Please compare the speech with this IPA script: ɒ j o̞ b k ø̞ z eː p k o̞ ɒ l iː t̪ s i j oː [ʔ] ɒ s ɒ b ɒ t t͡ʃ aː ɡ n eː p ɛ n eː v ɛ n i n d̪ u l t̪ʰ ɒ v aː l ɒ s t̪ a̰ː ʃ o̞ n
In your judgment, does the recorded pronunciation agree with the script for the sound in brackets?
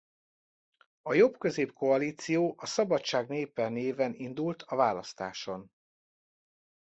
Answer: yes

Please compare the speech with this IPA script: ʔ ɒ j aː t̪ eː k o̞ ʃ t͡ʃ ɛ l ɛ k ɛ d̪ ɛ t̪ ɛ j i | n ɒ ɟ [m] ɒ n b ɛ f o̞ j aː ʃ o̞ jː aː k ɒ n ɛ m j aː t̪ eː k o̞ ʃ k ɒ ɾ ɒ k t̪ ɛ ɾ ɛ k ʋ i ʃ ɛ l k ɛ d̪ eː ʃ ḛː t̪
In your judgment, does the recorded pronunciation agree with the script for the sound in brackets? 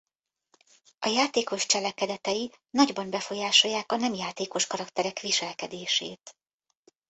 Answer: no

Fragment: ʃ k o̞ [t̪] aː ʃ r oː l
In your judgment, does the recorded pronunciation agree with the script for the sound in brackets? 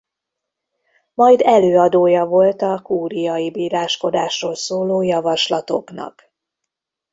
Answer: no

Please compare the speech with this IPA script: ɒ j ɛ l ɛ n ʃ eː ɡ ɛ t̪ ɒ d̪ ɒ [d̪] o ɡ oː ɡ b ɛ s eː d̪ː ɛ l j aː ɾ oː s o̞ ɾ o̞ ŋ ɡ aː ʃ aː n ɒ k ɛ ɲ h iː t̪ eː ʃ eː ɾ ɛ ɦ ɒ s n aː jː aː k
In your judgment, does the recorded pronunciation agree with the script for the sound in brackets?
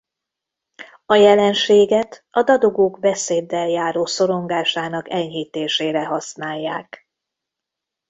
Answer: yes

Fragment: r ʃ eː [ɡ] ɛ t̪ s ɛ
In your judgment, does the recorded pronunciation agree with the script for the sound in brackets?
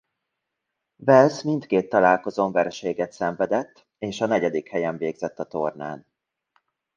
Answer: yes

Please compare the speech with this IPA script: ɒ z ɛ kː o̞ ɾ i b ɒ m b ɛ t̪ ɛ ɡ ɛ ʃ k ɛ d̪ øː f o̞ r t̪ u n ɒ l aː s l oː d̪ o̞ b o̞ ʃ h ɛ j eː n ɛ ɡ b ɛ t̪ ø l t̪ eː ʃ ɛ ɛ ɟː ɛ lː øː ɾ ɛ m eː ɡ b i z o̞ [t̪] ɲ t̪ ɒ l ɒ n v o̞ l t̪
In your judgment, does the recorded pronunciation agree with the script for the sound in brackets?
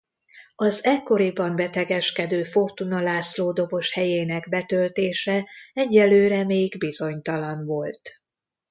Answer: no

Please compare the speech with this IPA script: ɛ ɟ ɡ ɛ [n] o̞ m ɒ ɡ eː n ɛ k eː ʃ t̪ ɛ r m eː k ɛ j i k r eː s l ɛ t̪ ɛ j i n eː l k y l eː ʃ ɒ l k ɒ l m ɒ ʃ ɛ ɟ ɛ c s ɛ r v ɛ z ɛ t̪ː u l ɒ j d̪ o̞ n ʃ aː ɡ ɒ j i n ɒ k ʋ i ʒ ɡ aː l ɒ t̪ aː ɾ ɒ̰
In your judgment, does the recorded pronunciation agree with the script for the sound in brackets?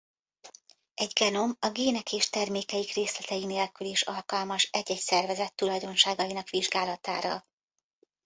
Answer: yes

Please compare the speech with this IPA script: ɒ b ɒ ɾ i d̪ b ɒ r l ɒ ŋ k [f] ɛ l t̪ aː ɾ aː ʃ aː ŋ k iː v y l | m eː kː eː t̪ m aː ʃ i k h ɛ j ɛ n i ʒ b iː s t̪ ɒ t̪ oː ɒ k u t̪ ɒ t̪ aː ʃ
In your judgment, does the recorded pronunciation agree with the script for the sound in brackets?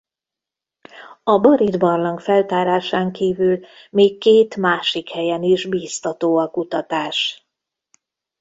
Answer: yes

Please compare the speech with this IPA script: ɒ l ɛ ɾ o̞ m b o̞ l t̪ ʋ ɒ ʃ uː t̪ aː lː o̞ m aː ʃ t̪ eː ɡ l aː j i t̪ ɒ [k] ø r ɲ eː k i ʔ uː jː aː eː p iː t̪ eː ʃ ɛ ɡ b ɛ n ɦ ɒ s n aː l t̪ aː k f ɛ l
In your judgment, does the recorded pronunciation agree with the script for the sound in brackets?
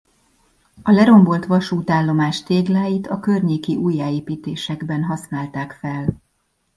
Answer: yes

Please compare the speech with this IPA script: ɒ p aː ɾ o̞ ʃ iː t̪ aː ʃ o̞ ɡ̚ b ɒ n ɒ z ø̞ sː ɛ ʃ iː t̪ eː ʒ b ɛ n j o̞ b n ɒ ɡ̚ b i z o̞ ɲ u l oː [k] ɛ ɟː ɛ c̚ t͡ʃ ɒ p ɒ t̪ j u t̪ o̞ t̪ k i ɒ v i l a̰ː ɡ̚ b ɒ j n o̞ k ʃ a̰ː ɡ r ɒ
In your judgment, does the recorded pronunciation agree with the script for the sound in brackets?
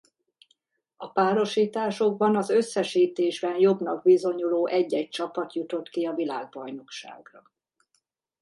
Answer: no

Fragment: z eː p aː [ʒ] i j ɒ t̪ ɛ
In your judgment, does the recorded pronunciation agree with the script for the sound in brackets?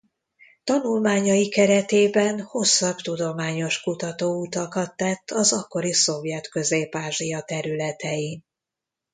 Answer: yes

